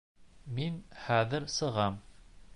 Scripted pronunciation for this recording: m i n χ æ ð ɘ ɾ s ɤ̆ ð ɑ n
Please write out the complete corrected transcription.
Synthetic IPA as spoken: m i n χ æ ð ɘ ɾ s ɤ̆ ʁ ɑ m